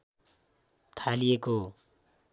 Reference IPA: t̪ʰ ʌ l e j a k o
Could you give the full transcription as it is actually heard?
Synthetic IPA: t̪ʰ a l i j e k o